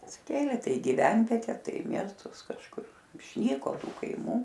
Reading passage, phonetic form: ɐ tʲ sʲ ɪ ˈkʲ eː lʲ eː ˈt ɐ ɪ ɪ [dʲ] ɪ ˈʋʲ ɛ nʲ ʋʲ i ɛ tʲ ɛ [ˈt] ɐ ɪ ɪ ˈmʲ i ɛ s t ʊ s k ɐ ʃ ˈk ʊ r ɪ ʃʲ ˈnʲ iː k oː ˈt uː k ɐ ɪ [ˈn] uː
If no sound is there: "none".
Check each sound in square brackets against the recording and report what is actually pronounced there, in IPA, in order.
ɡʲ, t, m

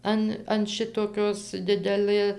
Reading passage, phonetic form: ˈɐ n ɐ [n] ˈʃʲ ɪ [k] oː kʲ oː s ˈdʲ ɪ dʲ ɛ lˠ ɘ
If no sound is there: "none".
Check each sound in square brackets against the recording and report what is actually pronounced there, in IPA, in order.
n, t

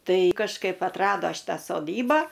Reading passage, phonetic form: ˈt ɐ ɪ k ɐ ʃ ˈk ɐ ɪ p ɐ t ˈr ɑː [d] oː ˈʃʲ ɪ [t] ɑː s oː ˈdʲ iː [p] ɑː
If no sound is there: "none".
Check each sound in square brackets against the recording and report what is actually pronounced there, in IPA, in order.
d, t, b

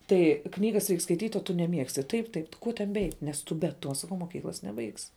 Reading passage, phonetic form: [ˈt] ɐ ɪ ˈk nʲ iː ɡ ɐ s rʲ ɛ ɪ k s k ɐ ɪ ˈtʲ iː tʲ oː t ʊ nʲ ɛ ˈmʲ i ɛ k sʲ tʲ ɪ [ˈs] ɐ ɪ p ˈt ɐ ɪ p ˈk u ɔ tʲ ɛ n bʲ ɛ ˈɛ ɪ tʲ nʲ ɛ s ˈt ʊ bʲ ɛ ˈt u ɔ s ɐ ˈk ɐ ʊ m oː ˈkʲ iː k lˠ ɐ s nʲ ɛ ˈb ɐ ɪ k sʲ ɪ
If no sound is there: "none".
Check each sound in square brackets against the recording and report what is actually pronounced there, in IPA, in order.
t, t

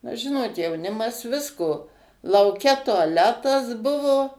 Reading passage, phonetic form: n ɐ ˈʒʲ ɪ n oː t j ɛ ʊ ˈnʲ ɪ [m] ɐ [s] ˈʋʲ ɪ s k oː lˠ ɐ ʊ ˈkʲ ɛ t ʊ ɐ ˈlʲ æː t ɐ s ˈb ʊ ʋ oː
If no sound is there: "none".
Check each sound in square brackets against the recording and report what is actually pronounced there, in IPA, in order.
m, s

